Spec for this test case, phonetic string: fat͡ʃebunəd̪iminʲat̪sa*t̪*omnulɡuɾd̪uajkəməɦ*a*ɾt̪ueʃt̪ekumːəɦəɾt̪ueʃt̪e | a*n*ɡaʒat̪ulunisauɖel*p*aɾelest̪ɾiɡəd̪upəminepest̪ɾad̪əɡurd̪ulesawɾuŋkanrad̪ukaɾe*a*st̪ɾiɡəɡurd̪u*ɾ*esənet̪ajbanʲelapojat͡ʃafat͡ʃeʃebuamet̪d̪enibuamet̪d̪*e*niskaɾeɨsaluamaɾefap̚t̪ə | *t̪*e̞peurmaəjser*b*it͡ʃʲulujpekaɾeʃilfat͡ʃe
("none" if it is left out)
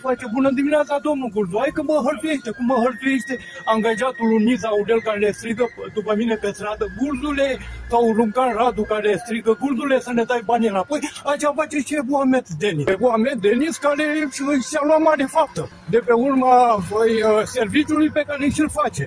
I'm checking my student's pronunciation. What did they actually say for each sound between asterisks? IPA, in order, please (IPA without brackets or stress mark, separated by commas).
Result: d̪, ə, ŋ, k, e, l, e, d̪, v